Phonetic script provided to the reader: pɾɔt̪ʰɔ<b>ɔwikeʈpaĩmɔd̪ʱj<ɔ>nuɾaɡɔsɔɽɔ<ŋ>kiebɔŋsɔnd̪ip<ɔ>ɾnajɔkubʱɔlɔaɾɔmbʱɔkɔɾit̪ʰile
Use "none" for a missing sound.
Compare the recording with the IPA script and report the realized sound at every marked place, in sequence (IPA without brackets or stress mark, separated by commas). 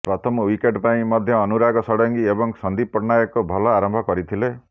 m, ɔː, ŋ, ɔ